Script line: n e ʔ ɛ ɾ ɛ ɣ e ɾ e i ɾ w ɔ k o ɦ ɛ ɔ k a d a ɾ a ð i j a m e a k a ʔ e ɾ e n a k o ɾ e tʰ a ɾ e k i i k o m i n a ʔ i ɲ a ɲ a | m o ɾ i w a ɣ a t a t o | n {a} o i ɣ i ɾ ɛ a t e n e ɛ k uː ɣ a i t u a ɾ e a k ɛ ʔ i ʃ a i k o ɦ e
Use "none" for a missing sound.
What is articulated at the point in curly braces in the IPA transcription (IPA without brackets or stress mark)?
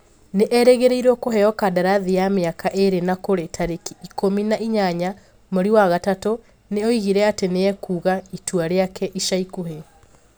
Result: e